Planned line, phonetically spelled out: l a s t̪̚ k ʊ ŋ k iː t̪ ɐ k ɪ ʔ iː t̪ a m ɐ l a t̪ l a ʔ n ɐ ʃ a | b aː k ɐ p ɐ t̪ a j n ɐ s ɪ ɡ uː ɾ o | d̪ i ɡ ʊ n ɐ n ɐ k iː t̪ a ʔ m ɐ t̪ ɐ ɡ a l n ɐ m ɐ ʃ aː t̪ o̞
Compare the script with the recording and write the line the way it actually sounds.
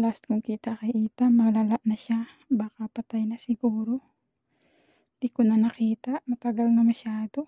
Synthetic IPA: l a s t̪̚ k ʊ ŋ k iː t̪ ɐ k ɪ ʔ iː t̪ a m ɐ l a l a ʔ n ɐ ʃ a | b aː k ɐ p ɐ t̪ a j n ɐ s ɪ ɡ uː ɾ o | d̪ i k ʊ n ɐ n ɐ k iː t̪ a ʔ m ɐ t̪ ɐ ɡ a l n ɐ m ɐ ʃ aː d̪ o̞